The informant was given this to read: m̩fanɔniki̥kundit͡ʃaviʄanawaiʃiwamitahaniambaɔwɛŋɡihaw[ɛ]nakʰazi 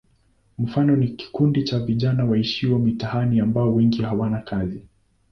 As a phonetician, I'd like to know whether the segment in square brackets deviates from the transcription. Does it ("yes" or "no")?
yes